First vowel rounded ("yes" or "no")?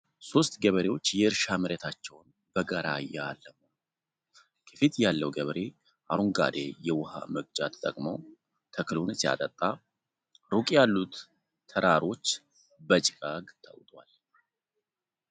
yes